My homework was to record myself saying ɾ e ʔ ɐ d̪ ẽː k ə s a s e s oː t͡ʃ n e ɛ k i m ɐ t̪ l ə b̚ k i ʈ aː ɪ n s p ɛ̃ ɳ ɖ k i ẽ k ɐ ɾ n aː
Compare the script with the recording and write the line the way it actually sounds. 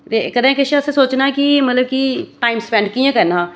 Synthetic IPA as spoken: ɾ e k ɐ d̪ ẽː k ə ʃ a s e s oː t͡ʃ n a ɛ k i m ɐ t̪ l ə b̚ k i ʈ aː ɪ m s p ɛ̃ ɳ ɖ k i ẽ k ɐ ɾ n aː